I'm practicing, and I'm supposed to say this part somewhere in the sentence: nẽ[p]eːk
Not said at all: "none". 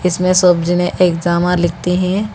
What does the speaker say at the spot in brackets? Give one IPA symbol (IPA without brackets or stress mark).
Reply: ʔ